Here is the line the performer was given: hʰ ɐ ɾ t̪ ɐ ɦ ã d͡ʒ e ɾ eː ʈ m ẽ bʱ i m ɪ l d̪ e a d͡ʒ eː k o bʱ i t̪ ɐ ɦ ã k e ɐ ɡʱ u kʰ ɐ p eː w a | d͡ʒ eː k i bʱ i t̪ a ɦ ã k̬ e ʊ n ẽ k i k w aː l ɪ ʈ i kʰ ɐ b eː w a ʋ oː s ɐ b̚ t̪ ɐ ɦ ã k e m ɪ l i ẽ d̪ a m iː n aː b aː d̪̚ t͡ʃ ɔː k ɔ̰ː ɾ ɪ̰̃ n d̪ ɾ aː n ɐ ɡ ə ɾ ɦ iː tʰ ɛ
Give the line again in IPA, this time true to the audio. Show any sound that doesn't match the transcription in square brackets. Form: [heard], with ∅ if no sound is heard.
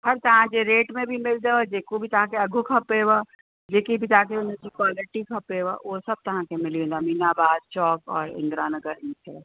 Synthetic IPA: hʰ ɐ ɾ t̪ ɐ ɦ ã d͡ʒ e ɾ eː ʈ m ẽ bʱ i m ɪ l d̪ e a d͡ʒ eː k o bʱ i t̪ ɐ ɦ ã k e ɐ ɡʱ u kʰ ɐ p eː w a | d͡ʒ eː k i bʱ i t̪ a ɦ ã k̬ e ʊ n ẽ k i k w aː l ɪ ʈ i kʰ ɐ [p] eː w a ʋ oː s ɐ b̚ t̪ ɐ ɦ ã k e m ɪ l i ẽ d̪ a m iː n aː b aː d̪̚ t͡ʃ ɔː k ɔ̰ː ɾ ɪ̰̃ n d̪ ɾ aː n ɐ ɡ ə ɾ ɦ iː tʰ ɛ

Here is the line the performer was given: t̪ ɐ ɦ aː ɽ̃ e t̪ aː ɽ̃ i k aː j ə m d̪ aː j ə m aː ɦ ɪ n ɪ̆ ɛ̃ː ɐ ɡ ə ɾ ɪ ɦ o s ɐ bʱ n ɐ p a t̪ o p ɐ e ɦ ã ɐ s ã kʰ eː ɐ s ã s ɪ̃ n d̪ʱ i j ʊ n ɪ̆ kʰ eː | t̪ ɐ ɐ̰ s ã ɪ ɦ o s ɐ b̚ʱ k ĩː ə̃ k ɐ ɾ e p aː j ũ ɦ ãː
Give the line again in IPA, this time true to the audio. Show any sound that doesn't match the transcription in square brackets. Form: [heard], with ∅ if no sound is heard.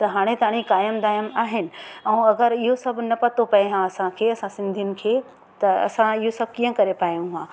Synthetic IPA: t̪ ɐ ɦ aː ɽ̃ e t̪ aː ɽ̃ i k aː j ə m d̪ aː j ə m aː ɦ ɪ n ɪ̆ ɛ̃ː ɐ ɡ ə ɾ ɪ ɦ o s ɐ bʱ n ɐ p [ɐ] t̪ o p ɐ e ɦ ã ɐ s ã kʰ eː ɐ s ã s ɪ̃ n d̪ʱ i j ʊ n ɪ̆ kʰ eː | t̪ ɐ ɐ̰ s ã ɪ ɦ o s ɐ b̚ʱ k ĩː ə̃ k ɐ ɾ e p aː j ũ ɦ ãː

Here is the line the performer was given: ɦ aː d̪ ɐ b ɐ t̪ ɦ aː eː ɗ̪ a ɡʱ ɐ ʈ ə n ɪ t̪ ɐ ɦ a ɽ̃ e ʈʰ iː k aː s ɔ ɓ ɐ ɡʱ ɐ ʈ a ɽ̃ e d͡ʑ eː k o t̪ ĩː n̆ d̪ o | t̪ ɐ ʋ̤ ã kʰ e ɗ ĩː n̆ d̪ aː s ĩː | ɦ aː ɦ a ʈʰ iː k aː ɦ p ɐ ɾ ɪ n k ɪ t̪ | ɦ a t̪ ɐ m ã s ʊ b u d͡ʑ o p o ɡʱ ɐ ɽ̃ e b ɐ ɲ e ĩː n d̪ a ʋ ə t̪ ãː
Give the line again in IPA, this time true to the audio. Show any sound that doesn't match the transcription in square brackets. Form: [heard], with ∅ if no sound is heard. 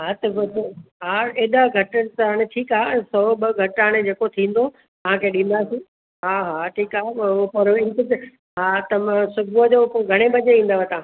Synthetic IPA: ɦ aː [t̪] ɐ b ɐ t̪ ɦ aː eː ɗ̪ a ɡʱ ɐ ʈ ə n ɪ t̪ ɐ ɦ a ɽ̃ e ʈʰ iː k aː s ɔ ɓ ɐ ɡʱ ɐ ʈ a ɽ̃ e d͡ʑ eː k o [t̪ʰ] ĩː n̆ d̪ o | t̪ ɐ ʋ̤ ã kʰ e ɗ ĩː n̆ d̪ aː s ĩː | ɦ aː ɦ a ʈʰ iː k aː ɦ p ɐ ɾ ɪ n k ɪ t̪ | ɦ a t̪ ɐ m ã s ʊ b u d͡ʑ o p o ɡʱ ɐ ɽ̃ e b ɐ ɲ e ĩː n d̪ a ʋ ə t̪ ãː

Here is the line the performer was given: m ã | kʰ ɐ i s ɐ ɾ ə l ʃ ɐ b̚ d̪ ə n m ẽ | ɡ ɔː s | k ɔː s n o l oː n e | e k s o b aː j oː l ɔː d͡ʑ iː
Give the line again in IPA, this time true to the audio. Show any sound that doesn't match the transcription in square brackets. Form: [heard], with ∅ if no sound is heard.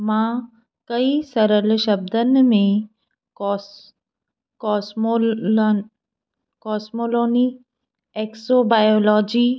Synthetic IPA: m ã | [k] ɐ i s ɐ ɾ ə l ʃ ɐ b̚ d̪ ə n m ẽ | [k] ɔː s | k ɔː s [m] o l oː n [i] | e k s o b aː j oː l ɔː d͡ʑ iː

